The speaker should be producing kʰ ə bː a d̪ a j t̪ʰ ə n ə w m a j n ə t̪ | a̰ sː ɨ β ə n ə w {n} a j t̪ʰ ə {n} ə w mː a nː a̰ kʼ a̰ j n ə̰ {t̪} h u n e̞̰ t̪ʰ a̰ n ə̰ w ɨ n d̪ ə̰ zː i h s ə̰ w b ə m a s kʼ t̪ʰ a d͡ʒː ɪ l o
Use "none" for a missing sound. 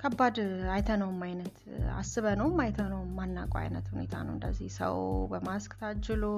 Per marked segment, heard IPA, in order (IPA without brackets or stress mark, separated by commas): m, n, t̪